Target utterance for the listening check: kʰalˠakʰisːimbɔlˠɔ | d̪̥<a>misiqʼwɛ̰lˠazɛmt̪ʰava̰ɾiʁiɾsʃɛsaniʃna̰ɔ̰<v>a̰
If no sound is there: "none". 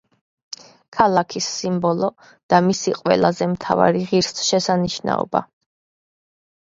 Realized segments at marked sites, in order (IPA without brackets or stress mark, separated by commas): a, b